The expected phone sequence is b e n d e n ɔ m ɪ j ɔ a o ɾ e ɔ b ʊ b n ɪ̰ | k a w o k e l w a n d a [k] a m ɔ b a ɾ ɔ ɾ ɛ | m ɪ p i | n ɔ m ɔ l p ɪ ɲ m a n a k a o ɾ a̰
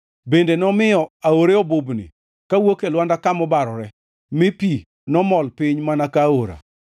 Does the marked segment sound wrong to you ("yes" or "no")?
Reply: no